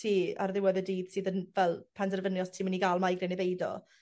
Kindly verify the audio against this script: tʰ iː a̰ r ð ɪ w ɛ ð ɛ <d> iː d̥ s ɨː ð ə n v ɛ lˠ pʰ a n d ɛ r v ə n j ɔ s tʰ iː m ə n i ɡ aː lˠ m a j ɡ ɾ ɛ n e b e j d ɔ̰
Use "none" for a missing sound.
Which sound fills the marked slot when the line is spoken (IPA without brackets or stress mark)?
d